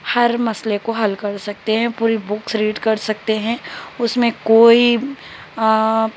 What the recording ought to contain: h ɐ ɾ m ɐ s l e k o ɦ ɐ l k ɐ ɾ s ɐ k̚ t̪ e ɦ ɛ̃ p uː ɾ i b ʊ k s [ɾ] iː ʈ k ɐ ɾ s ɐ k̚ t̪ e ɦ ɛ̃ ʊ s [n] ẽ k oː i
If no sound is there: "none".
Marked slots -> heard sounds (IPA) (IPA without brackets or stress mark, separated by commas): ɾ, m